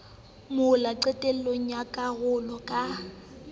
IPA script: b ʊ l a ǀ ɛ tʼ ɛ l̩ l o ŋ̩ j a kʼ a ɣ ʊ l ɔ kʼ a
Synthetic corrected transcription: m ʊ l a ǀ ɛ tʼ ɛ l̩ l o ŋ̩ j a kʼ a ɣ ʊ l ɔ kʼ a